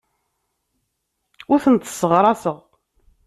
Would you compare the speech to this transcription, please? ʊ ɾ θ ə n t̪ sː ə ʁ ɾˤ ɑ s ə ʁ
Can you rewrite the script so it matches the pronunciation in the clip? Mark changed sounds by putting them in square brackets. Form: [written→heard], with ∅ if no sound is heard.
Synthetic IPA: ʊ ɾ θ ə n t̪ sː ə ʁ ɾˤ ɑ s ə ʁ